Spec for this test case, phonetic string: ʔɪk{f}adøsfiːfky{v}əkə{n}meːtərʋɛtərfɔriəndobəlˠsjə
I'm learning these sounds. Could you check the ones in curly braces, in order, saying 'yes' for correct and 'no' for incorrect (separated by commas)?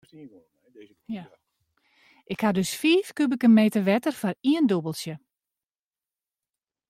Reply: no, no, yes